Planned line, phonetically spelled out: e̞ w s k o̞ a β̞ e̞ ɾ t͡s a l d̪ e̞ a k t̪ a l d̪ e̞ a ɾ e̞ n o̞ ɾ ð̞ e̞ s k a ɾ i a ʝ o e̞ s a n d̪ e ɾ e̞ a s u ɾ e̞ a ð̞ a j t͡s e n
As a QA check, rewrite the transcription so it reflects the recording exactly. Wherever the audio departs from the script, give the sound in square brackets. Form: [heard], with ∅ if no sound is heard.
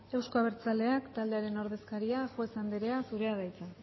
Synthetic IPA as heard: e̞ w s k o̞ a β̞ e̞ ɾ t͡s a l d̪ e̞ a k t̪ a l d̪ e̞ a ɾ e̞ n o̞ ɾ ð̞ e̞ s k a ɾ i a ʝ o e̞ s a n d̪ e ɾ e̞ a s u ɾ e̞ a ð̞ a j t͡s e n